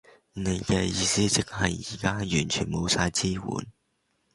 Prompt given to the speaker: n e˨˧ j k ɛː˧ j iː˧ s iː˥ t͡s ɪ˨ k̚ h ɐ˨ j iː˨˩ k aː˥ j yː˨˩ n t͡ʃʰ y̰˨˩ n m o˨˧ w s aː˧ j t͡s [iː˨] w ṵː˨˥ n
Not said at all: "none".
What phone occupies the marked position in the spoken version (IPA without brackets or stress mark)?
iː˥